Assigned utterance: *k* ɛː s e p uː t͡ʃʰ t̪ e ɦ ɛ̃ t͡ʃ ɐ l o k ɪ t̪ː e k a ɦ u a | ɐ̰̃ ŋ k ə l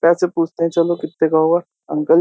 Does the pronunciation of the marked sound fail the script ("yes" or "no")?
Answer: yes